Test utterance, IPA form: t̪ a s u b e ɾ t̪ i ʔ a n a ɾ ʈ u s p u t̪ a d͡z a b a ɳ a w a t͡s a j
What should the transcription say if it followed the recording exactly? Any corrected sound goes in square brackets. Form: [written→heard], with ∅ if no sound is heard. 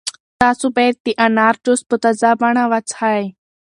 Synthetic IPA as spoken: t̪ a s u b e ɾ t̪ i ʔ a n a ɾ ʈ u s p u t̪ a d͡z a b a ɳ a [w→ʋ] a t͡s a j